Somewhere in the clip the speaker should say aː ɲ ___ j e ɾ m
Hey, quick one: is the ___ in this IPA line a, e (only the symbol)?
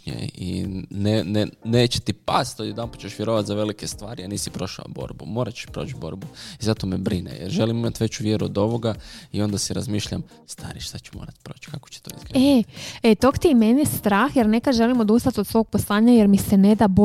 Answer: a